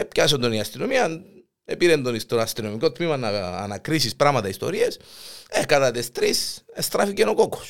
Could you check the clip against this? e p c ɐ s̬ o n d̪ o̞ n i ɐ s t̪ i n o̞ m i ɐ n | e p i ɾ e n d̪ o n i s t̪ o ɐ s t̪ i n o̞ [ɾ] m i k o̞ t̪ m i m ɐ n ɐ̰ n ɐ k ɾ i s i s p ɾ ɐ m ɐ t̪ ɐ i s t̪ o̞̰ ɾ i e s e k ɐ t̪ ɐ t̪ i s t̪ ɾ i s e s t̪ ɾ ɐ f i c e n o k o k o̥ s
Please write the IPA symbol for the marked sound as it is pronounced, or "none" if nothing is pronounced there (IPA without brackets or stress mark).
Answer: none